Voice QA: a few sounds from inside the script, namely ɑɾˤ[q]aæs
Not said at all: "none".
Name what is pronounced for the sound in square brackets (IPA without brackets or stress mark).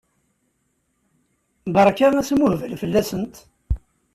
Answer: k